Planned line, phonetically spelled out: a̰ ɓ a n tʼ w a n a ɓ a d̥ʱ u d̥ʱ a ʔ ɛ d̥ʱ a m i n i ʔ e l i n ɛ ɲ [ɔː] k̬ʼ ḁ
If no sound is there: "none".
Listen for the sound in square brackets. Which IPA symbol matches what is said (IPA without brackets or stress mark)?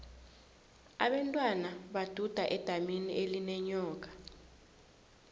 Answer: ɔː